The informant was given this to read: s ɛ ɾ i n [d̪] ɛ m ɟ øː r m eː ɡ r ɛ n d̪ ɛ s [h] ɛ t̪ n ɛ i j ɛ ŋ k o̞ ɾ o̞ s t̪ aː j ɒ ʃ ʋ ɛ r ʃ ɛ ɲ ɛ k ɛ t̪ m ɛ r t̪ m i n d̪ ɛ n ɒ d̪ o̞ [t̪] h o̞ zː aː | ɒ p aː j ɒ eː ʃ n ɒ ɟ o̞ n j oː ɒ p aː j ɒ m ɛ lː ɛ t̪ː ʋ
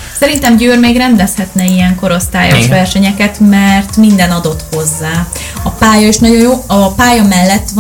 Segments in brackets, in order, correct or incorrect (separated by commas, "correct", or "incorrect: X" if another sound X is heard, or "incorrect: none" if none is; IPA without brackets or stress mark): incorrect: t̪, correct, correct